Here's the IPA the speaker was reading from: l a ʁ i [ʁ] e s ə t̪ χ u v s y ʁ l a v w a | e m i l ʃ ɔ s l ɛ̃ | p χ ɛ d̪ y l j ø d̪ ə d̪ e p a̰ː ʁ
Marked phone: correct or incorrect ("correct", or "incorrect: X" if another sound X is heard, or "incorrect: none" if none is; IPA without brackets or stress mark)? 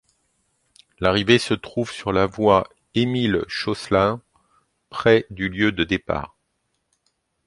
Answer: incorrect: v